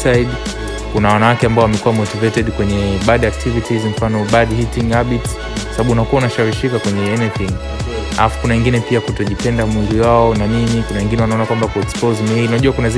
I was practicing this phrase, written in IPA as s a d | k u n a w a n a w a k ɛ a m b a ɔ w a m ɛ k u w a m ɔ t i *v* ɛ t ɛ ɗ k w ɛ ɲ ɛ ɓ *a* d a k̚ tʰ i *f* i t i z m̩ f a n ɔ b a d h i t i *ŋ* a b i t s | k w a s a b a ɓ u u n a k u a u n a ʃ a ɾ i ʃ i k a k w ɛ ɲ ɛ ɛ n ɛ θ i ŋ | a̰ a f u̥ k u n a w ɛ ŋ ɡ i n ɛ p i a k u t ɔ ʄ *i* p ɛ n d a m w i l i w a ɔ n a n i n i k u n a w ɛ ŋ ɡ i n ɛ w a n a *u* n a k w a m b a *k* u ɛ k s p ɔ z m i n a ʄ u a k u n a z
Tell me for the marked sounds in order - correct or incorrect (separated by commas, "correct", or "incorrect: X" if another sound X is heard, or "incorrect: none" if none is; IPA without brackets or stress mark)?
correct, correct, incorrect: v, correct, correct, incorrect: ɔ, correct